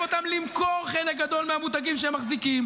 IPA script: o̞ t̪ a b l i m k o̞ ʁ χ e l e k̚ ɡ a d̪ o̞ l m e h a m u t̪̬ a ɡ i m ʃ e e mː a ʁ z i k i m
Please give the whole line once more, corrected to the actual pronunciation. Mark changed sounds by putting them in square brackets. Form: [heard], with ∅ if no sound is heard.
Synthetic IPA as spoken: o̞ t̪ a [m] l i m k o̞ ʁ χ e l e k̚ ɡ a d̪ o̞ l m e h a m u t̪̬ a ɡ i m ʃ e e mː a [χ] z i k i m

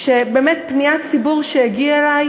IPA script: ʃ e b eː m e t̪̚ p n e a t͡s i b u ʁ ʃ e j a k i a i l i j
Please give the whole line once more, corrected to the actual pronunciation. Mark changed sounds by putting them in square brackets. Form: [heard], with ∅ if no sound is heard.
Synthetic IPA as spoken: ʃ e b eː m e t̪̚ p n [i] a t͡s i b u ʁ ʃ e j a [ɡ] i a [e] l [a] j

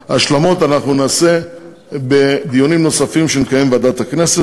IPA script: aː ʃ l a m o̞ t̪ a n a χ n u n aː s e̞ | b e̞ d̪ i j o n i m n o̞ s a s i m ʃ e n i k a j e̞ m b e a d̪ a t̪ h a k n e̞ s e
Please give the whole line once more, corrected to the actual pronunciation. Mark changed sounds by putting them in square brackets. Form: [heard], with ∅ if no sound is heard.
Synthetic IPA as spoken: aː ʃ l a m o̞ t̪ a n a χ n u n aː s e̞ | b e̞ d̪ i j o n i m n o̞ s a [f] i m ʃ e n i k a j e̞ m b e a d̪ a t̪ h a k n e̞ s e

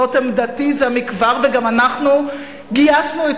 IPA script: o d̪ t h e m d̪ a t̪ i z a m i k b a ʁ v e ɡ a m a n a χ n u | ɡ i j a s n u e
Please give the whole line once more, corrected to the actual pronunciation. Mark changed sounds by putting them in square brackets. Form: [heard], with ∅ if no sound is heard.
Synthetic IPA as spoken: o [∅] t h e m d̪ a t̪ i z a m i k [v] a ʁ v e ɡ a m a n a χ n u | ɡ i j a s n u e

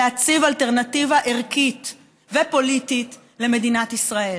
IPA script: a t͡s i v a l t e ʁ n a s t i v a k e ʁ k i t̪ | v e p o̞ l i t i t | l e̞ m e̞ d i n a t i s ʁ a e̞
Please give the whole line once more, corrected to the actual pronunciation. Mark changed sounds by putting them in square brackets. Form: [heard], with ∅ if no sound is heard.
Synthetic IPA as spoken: a t͡s i v a l t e ʁ n a [∅] t i v a [ʔ] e ʁ k i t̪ | v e p o̞ l i t i t | l e̞ m e̞ d i n a t i s ʁ a e̞

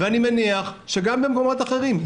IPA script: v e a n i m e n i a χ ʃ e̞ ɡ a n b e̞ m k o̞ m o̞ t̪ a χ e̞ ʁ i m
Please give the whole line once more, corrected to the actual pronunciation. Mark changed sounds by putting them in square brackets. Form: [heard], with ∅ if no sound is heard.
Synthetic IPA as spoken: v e a n i m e n i a χ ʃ e̞ ɡ a [m] b e̞ m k o̞ m o̞ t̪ a χ e̞ ʁ i m

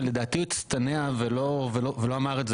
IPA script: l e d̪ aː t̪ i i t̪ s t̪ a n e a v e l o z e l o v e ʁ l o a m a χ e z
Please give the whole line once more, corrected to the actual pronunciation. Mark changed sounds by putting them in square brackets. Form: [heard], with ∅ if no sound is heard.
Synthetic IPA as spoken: l e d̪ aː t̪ i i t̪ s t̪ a n e a v e l o [v] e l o v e [∅] l o a m a [ʁ] e z

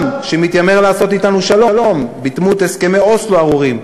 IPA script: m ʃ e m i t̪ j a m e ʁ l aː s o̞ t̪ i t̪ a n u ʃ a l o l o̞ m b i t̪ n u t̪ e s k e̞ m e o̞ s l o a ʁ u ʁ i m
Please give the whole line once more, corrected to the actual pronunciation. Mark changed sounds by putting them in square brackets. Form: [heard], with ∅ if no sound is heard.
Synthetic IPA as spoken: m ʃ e m i t̪ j a m e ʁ l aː s o̞ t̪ i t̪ a n u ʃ a l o l o̞ m b i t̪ [m] u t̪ e s k e̞ m e o̞ s l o a ʁ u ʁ i m

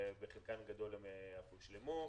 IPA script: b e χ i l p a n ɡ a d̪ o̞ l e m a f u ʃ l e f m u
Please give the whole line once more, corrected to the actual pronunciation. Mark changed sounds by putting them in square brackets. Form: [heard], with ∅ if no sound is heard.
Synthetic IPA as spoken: b e χ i l [k] a n ɡ a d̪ o̞ l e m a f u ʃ l e [∅] m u

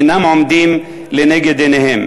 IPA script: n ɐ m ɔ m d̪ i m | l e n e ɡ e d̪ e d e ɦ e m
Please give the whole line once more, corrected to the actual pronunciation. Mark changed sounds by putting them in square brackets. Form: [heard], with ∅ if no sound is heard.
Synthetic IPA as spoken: n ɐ m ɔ m d̪ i m | l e n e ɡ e d̪ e [n] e ɦ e m

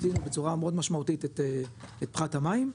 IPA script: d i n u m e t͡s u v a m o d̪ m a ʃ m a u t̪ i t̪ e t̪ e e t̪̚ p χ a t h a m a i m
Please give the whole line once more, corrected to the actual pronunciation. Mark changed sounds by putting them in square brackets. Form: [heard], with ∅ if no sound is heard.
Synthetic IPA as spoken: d i n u [b] e t͡s u [ʁ] a m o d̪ m a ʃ m a u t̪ i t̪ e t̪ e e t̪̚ p χ a t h a m a i m

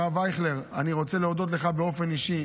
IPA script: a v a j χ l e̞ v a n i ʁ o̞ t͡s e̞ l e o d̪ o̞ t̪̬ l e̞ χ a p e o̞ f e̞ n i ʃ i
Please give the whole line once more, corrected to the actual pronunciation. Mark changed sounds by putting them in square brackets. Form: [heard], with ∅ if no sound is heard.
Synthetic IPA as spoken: a v a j χ l e̞ [ʁ] a n i ʁ o̞ t͡s e̞ l e o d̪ o̞ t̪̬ l e̞ χ a [b] e o̞ f e̞ n i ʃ i

